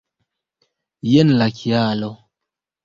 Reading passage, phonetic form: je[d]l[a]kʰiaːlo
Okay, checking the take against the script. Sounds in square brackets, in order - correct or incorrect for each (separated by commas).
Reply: incorrect, correct